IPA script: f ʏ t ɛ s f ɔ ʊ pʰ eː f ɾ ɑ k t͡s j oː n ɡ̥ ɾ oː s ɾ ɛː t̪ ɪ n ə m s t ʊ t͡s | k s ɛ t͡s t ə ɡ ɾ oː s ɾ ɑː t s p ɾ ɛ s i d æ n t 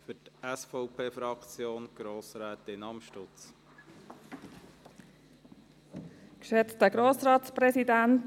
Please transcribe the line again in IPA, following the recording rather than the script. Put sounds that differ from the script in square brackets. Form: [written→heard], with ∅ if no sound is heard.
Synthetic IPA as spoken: f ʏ t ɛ s f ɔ ʊ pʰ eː f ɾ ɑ k t͡s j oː n ɡ̥ ɾ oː s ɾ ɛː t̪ ɪ n [ə→ɑ] m [s→ʃ] t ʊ t͡s | k [s→ʃ] ɛ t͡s t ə ɡ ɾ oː s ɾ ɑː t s p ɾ ɛ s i d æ n t